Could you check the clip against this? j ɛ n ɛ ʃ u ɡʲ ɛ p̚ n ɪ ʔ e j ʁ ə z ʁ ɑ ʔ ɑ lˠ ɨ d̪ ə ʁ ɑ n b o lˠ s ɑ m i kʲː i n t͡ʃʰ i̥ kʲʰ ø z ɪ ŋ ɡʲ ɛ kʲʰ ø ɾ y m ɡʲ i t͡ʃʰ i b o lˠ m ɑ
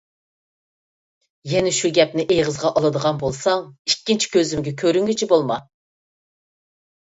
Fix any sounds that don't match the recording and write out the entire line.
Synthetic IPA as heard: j ɛ n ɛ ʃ u ɡʲ ɛ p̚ n ɪ ʔ e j ʁ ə z ʁ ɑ ʔ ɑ lˠ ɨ d̪ ə ʁ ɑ n b o lˠ s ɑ ŋ i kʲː i n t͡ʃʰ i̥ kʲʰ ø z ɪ m ɡʲ ɛ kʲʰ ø ɾ y ŋ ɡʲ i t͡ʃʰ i b o lˠ m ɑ